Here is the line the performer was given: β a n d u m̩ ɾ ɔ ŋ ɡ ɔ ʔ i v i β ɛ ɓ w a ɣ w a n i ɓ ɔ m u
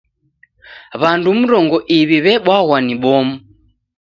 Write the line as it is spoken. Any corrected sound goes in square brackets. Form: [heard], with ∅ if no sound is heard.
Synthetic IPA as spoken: β a n d u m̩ ɾ ɔ ŋ ɡ ɔ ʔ i [β] i β ɛ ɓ w a ɣ w a n i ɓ ɔ m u